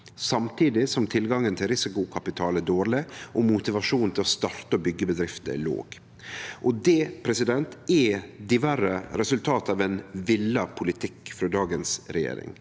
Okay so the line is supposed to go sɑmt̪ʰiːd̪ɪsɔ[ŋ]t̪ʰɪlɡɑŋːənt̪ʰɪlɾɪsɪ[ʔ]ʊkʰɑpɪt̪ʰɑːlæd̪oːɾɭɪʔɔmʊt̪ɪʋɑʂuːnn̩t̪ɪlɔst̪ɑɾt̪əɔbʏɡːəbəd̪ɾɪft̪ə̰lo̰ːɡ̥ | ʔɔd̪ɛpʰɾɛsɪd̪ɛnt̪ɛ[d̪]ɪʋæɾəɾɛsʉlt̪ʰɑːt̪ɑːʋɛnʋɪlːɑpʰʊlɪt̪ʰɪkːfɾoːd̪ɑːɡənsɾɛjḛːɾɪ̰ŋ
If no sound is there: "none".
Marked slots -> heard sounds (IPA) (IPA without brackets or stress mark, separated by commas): m, k, d̪